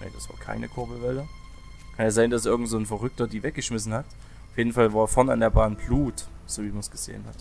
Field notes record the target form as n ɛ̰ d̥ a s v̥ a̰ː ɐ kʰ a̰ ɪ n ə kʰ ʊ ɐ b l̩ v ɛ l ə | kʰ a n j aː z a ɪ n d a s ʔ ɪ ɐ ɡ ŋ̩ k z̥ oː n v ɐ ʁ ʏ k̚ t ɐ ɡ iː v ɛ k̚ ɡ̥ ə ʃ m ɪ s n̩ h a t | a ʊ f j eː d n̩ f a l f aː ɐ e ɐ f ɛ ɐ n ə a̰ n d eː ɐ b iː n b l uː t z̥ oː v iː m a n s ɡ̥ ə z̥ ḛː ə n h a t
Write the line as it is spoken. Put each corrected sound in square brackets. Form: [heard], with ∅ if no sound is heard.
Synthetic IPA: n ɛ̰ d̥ a s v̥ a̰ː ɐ kʰ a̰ ɪ n ə kʰ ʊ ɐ b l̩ v ɛ l ə | kʰ a n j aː z a ɪ n d a s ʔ ɪ ɐ ɡ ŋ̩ [t] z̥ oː n [f] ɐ ʁ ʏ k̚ t ɐ [d] iː v ɛ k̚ ɡ̥ ə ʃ m ɪ s n̩ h a t | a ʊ f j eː d n̩ f a l [v] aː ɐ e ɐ f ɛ ɐ n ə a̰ n d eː ɐ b [aː] n b l uː t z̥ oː v iː m a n s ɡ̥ ə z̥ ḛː ə n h a t